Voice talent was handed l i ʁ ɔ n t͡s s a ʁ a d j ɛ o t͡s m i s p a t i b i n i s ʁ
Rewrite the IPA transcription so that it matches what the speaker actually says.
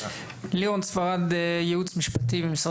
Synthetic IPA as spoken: l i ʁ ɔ n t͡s f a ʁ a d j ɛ u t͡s m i ʃ p a t i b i m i s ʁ